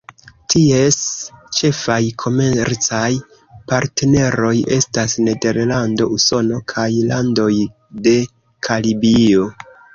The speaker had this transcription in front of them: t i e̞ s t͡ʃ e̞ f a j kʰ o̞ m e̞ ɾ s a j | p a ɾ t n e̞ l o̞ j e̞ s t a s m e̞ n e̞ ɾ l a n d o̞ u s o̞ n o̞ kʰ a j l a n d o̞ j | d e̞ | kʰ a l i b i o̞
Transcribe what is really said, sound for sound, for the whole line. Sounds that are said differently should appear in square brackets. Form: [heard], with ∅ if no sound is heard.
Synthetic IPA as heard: t i e̞ s t͡ʃ e̞ f a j kʰ o̞ m e̞ ɾ [t͡s] a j | p a ɾ t n e̞ [ɾ] o̞ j e̞ s t a s [n] e̞ [d] e̞ ɾ l a n d o̞ u s o̞ n o̞ kʰ a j l a n d o̞ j | d e̞ | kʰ a l i b i o̞